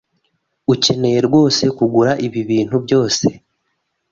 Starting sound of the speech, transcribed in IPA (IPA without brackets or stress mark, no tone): u